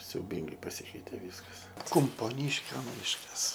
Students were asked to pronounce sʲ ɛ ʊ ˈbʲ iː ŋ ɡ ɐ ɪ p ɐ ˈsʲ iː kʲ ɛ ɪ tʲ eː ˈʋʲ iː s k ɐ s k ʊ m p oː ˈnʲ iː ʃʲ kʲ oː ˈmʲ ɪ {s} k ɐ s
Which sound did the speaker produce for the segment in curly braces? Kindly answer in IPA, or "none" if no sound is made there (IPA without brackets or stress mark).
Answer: ʃ